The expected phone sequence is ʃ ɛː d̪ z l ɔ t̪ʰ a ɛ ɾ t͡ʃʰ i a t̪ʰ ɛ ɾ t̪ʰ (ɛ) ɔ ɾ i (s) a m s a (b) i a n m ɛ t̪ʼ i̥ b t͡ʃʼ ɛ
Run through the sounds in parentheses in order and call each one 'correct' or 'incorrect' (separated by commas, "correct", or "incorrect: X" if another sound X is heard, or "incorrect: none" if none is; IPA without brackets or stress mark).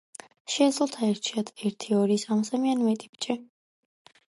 incorrect: i, correct, incorrect: m